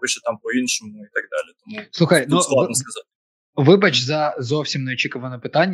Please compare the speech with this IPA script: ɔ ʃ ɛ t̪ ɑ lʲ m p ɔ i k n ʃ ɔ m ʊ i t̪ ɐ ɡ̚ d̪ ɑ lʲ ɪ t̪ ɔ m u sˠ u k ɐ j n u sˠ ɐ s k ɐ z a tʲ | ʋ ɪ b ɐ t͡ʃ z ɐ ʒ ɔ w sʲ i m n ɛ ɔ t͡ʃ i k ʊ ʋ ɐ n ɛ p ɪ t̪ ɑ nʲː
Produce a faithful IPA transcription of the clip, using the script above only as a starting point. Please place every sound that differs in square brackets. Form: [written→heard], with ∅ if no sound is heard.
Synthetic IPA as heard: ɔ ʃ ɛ t̪ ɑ [lʲ→∅] m p ɔ i [k→∅] n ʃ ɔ m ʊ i t̪ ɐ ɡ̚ d̪ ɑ lʲ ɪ t̪ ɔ m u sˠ u [k→x] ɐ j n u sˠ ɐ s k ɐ z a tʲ | ʋ ɪ b ɐ t͡ʃ z ɐ [ʒ→z] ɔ w sʲ i m n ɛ ɔ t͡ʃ i k ʊ ʋ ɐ n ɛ p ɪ t̪ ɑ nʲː